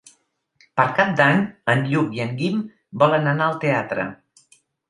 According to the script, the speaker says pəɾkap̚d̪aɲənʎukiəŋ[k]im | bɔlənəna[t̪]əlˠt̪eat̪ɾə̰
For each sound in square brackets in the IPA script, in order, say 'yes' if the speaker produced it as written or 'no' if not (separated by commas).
no, no